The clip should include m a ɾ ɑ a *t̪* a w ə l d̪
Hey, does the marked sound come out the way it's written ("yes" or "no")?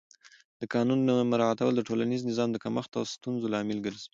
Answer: yes